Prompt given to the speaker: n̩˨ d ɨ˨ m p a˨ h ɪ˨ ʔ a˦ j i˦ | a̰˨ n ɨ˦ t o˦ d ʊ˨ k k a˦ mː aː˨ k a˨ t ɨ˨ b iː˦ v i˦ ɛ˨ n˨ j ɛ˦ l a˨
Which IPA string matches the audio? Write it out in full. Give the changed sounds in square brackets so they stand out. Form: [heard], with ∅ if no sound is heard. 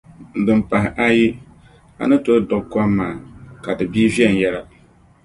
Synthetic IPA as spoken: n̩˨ d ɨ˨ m p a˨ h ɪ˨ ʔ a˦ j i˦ | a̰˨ n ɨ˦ t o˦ d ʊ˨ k k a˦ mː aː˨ k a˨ [d] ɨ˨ b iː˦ v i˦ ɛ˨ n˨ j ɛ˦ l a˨

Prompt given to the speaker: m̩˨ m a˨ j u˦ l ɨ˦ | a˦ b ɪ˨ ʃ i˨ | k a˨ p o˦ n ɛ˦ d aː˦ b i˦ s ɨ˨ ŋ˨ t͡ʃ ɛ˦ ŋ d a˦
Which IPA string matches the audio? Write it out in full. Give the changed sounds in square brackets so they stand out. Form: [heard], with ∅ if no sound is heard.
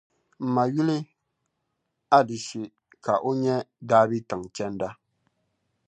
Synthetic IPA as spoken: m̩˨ m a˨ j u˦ l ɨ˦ | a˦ [d] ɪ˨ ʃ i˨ | k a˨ [ʔ] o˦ [ɲ] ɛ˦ d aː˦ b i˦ [t] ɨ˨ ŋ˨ t͡ʃ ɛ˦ [n] d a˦

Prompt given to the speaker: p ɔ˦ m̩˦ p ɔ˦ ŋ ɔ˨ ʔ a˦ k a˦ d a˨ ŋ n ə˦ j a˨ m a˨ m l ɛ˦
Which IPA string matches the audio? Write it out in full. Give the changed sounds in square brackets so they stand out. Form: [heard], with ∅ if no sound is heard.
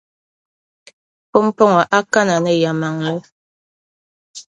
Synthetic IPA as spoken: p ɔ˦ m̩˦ p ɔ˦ ŋ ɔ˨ ʔ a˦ k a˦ [n] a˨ [∅] n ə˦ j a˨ m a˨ [ŋ] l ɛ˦

